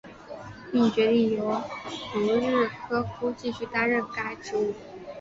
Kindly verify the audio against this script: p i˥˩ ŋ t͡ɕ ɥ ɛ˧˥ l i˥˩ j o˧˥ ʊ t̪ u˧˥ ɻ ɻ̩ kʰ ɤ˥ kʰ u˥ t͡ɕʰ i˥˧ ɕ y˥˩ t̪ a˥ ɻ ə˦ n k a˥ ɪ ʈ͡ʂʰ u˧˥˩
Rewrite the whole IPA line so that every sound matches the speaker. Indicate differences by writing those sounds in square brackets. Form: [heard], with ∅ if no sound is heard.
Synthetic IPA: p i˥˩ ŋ t͡ɕ ɥ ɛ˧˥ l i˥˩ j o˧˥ ʊ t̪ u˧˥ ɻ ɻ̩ kʰ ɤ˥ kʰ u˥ [t͡ɕ] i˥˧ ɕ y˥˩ t̪ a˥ ɻ [ə˥˩] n k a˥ ɪ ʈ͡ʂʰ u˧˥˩